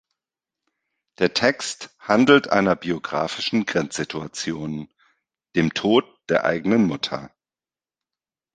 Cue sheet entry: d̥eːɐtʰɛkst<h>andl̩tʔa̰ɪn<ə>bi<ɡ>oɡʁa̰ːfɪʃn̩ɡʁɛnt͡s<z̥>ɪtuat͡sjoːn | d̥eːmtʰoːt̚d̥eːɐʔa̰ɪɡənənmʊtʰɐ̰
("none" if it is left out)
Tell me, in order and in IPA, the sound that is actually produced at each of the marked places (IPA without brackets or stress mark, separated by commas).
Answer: h, ɐ, none, z̥